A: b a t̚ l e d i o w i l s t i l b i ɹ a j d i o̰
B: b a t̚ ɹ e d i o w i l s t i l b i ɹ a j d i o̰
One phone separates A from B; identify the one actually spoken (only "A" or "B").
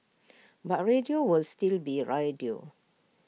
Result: B